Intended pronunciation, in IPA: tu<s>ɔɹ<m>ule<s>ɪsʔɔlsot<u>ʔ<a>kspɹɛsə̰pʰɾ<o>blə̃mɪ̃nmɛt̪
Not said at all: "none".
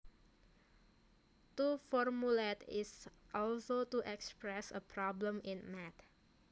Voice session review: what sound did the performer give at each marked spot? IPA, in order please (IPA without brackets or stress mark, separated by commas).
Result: f, m, t, u, ɛ, ɔ